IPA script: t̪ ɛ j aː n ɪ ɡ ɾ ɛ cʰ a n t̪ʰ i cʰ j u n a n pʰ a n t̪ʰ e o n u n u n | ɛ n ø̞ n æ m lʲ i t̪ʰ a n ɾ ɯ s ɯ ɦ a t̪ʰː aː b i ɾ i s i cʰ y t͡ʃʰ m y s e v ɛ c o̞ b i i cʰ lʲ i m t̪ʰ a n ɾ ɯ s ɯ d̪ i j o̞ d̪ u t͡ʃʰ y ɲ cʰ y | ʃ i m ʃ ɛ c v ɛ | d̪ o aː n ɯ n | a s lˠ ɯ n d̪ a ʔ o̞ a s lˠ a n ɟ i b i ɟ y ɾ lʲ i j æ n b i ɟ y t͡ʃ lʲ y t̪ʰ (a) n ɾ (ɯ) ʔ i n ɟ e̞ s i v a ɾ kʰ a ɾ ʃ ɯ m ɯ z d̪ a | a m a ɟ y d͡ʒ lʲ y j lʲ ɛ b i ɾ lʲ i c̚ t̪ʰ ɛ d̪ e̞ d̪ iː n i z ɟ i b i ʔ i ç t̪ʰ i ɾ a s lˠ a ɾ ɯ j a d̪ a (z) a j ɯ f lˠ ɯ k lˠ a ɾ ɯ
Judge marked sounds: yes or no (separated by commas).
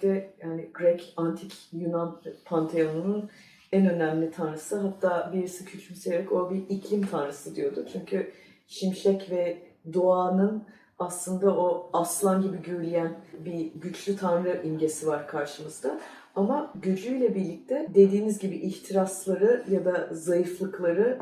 yes, yes, yes